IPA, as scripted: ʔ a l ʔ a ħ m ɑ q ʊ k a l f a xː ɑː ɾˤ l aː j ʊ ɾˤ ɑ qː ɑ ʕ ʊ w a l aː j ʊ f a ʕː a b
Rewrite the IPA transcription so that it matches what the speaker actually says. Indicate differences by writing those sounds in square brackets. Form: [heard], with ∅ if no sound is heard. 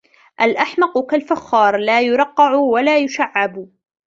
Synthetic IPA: ʔ a l ʔ a ħ m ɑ q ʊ k a l f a xː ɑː ɾˤ l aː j ʊ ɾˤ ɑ qː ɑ ʕ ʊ w a l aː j ʊ [ʃ] a ʕː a b